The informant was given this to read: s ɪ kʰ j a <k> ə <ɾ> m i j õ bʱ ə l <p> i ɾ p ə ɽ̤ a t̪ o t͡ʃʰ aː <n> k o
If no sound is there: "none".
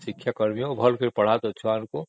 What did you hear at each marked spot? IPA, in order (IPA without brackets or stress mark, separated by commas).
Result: k, ɾ, k, n